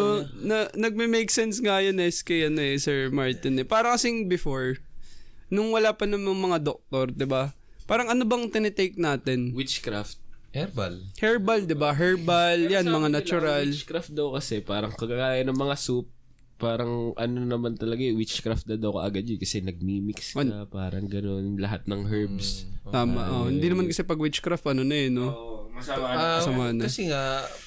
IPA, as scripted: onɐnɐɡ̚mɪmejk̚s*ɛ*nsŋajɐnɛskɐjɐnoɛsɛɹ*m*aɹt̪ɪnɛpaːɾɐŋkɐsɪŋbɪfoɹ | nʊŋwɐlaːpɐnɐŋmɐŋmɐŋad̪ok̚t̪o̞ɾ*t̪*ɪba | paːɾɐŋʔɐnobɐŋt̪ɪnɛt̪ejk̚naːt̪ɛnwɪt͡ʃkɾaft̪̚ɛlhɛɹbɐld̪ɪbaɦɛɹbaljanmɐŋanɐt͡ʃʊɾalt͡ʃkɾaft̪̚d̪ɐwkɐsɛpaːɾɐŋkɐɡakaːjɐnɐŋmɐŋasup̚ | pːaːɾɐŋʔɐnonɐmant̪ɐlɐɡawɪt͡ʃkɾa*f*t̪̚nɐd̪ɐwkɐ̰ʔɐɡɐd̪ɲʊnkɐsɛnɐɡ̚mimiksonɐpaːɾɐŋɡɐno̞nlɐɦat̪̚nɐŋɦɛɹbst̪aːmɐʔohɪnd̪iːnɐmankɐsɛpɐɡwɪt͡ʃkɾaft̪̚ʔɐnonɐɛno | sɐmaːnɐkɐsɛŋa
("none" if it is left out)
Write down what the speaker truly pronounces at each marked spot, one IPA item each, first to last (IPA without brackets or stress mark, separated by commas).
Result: ɛ, m, d̪, f